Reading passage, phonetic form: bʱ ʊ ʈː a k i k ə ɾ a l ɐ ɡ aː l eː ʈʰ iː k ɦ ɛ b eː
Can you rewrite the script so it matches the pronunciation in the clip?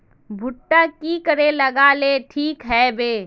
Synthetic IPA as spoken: bʱ ʊ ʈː a k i k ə ɾ e l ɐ ɡ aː l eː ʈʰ iː k ɦ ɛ b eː